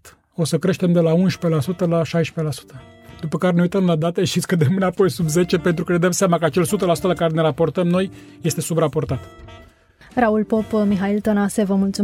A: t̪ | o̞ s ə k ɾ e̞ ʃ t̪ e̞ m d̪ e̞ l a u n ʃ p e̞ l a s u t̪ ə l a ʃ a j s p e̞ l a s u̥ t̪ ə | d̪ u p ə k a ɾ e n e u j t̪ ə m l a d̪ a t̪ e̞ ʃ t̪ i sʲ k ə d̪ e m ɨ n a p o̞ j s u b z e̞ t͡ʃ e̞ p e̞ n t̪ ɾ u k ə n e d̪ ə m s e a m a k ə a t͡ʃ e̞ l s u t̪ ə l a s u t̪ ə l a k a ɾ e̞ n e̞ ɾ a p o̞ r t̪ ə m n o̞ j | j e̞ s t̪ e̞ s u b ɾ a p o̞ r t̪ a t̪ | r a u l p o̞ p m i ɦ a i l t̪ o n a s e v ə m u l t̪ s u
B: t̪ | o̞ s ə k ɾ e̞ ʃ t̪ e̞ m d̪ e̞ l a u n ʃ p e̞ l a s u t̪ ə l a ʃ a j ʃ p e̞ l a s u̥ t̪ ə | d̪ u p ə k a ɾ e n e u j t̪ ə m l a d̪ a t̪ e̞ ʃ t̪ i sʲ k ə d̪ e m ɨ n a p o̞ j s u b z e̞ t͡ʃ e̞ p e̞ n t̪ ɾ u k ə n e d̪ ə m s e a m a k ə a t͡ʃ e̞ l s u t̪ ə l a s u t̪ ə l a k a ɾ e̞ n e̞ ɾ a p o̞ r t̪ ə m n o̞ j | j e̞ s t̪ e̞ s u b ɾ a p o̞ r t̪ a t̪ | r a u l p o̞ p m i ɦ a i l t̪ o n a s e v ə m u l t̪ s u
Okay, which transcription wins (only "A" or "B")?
B